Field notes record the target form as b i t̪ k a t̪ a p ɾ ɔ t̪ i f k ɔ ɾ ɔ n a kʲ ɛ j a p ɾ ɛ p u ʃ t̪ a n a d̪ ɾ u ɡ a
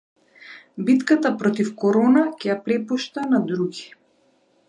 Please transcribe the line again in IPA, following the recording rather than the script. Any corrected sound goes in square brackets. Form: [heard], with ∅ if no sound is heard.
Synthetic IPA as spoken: b i t̪ k a t̪ a p ɾ ɔ t̪ i f k ɔ ɾ ɔ n a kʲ ɛ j a p ɾ ɛ p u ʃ t̪ a n a d̪ ɾ u ɡ [i]